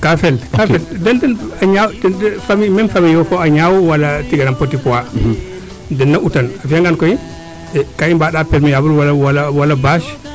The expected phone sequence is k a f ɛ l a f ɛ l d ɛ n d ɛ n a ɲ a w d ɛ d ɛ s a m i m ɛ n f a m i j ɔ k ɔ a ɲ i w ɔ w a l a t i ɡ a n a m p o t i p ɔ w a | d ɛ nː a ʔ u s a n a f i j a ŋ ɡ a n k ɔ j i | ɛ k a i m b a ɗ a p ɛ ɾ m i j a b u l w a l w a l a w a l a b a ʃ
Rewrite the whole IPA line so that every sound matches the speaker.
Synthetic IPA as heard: k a f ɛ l a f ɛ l d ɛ n d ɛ n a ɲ a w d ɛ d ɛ f a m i m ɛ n f a m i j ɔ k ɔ a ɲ a w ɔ w a l a t i ɡ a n a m p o t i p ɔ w a | d ɛ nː a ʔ u t a n a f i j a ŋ ɡ a n k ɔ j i | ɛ k a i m b a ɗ a p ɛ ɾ m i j a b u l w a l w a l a w a l a b a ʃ